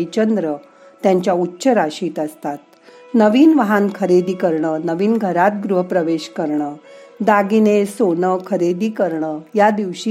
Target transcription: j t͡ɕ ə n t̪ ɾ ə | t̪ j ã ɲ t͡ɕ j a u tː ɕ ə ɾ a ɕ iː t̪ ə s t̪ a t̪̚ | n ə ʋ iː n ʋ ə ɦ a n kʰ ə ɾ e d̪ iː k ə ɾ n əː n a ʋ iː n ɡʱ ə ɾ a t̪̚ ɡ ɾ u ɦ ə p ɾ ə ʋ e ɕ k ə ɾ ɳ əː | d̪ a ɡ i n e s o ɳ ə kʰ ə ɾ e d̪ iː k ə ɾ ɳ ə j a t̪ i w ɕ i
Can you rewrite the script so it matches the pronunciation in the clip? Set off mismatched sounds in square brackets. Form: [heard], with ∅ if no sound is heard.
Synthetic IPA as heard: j t͡ɕ ə n [d̪] ɾ ə | t̪ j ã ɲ t͡ɕ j a u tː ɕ ə ɾ a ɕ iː t̪ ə s t̪ a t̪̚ | n ə ʋ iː n ʋ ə ɦ a n kʰ ə ɾ e d̪ iː k ə ɾ [ɳ] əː n [ə] ʋ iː n ɡʱ ə ɾ a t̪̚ ɡ ɾ u ɦ ə p ɾ ə ʋ e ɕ k ə ɾ ɳ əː | d̪ a ɡ i n e s o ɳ ə kʰ ə ɾ e d̪ iː k ə ɾ ɳ ə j a [d̪] i [ʋ] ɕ i